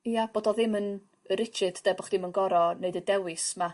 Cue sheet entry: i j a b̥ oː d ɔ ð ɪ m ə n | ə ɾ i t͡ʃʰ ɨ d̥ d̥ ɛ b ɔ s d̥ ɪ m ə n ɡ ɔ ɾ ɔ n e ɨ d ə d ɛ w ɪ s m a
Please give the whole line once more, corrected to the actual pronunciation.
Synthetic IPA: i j a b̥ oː d ɔ ð ɪ m ə n | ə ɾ ɪ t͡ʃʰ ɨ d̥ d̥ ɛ b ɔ χ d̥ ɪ m ə n ɡ ɔ ɾ ɔ n e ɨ d ə d ɛ w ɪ s m a